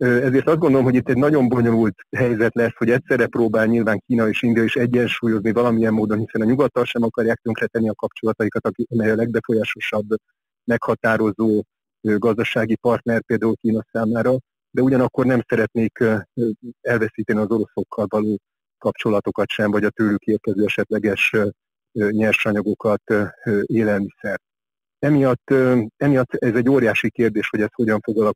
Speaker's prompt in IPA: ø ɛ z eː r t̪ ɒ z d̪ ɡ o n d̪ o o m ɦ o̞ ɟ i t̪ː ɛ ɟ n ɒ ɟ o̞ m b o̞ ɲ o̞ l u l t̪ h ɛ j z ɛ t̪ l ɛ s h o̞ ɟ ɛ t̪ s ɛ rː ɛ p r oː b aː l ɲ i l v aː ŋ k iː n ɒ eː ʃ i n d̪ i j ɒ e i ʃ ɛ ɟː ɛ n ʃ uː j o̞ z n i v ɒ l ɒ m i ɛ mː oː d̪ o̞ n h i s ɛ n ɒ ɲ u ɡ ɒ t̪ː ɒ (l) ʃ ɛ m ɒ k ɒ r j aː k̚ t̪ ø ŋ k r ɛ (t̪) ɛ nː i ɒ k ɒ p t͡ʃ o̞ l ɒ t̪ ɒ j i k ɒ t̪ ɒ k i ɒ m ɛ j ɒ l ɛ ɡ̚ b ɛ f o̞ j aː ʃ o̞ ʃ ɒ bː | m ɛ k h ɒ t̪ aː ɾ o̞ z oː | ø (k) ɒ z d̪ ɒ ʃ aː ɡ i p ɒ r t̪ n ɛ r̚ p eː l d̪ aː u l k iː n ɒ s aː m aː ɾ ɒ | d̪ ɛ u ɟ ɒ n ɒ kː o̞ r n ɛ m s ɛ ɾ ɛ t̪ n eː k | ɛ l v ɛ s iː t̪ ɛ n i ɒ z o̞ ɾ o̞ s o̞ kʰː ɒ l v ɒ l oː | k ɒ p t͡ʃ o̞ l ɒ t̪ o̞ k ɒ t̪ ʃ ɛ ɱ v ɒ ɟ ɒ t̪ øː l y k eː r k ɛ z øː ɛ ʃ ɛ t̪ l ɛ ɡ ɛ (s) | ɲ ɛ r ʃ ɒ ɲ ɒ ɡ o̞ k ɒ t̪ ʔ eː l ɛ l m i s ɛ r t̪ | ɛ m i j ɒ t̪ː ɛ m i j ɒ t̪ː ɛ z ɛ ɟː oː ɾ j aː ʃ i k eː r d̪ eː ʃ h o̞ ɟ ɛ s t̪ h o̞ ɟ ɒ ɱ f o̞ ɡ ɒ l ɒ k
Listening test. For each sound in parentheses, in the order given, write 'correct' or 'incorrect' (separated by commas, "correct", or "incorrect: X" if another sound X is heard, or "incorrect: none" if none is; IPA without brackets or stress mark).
correct, correct, incorrect: ɡ, incorrect: ʃ